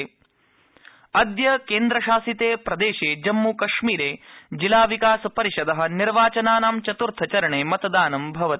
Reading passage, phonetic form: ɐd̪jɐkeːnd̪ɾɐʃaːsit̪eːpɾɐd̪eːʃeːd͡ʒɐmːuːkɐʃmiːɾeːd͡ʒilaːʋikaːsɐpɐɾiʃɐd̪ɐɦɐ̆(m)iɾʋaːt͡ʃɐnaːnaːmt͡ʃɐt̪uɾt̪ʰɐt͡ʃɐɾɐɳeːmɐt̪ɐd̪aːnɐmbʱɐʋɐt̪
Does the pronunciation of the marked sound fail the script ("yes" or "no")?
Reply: yes